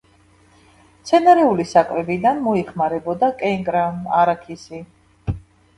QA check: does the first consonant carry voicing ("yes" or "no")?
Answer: no